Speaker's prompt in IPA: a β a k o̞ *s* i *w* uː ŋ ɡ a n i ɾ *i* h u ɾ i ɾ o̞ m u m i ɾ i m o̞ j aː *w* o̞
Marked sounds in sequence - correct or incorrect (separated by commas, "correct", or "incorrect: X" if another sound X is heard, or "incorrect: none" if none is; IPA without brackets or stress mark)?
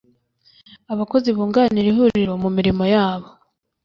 incorrect: z, incorrect: β, correct, incorrect: β